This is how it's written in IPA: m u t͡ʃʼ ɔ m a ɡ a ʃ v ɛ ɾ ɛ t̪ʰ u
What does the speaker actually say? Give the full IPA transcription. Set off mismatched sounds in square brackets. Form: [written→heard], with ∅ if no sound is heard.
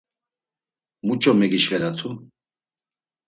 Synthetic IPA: m u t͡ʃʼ ɔ m [a→ɛ] ɡ [a→i] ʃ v ɛ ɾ [ɛ→a] t̪ʰ u